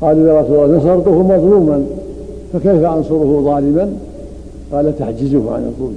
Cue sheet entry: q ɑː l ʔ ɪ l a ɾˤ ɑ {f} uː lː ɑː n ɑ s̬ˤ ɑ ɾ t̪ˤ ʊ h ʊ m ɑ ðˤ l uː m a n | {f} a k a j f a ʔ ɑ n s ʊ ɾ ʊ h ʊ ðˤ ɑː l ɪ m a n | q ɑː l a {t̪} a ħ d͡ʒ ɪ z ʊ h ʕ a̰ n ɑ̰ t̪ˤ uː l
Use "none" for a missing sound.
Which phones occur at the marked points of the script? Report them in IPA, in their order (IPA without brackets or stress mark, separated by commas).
s, f, t̪